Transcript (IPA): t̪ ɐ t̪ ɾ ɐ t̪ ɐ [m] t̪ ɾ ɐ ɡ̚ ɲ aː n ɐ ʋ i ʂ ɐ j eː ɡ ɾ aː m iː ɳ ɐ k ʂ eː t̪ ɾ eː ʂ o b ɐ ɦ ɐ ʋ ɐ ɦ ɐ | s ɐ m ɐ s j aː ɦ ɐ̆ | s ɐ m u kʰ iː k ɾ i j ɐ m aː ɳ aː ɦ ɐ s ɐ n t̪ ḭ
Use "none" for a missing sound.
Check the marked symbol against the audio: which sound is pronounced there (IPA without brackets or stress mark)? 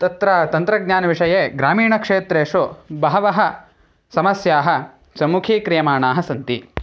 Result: n